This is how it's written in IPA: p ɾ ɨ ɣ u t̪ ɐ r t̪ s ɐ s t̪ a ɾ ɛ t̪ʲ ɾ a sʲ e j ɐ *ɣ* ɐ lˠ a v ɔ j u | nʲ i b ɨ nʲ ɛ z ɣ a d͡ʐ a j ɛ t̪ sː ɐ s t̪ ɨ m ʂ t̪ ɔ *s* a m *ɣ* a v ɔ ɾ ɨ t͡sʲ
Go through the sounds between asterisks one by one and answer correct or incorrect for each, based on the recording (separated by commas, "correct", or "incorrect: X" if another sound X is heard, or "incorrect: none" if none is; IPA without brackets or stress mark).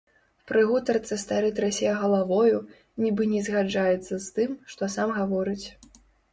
correct, correct, correct